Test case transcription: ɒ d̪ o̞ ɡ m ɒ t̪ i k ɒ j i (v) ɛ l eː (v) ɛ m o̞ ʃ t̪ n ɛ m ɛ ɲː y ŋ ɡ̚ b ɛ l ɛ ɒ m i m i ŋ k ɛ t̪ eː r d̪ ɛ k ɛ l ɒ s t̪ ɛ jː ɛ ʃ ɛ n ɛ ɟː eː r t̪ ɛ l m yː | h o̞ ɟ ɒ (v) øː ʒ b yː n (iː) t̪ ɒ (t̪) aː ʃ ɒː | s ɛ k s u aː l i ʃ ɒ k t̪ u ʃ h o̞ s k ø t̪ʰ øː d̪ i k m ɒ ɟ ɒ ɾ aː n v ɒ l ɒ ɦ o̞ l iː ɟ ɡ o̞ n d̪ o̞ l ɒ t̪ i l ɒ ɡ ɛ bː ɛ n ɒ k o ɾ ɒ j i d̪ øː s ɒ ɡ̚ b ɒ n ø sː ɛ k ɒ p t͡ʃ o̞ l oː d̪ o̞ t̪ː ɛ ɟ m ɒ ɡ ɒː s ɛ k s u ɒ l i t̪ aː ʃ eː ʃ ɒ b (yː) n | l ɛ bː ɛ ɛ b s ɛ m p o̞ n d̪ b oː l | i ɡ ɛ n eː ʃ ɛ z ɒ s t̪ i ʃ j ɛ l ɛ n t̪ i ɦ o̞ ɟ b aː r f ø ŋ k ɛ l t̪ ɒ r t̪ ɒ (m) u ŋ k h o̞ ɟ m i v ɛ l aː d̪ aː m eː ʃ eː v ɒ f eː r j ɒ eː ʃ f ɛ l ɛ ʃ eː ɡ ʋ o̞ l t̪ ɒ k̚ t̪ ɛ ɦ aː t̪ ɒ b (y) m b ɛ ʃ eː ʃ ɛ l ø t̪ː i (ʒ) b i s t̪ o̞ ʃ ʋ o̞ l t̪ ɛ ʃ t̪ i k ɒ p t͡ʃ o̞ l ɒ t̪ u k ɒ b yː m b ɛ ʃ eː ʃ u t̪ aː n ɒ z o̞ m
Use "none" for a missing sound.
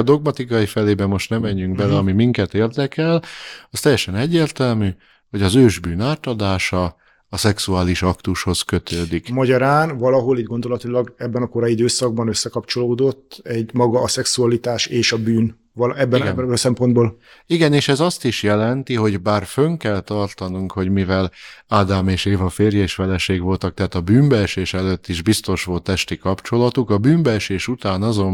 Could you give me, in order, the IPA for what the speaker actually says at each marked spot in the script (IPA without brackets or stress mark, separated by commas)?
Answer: f, b, z, aː, d̪, yː, n, yː, ʒ